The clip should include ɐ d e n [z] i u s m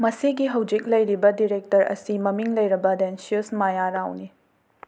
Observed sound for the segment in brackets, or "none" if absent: s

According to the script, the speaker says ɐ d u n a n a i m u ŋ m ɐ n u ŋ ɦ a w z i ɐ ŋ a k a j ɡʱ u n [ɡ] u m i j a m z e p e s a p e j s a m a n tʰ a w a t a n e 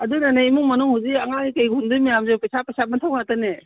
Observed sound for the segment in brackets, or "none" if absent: d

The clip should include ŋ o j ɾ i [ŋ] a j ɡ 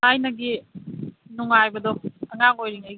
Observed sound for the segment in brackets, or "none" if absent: ŋ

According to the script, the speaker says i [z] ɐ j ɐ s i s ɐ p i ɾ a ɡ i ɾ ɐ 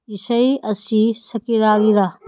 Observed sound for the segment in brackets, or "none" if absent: s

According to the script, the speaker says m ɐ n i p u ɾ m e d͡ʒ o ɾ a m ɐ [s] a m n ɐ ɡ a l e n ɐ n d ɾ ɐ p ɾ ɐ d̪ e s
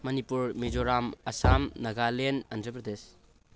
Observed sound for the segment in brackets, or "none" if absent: s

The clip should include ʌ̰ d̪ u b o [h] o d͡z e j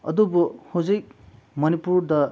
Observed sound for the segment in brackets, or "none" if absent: h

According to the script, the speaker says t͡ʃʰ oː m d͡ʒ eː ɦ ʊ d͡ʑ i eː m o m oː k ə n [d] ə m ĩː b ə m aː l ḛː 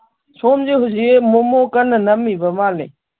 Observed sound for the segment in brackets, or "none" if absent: n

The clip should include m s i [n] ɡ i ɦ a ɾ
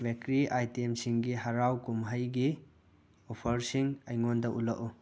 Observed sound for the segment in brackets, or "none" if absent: ŋ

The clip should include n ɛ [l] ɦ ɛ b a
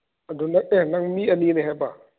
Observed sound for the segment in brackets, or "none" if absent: none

